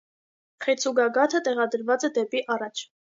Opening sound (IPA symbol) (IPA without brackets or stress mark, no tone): χ